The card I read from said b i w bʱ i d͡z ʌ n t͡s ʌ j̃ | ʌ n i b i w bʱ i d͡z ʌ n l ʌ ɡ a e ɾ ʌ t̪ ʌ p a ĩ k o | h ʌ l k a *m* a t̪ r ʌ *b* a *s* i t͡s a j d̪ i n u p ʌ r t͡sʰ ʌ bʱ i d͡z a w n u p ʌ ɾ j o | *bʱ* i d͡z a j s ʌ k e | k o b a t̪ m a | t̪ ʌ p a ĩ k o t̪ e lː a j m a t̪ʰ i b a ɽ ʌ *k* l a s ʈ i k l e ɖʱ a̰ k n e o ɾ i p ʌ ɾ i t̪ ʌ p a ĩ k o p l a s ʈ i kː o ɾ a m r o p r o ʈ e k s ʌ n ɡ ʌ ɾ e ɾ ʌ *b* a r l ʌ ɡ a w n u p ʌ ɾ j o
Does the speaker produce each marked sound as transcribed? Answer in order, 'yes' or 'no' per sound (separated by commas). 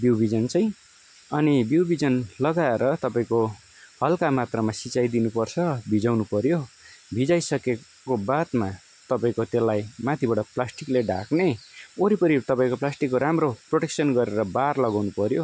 yes, no, yes, yes, no, yes